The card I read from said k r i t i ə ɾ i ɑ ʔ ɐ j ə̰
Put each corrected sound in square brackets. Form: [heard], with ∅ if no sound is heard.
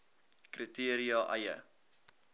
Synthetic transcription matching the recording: k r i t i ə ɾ i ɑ ʔ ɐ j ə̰